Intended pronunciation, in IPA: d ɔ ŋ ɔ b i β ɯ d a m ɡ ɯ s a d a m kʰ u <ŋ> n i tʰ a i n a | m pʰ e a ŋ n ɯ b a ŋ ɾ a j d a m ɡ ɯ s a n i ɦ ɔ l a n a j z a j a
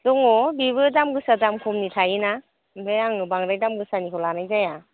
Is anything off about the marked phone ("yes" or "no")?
yes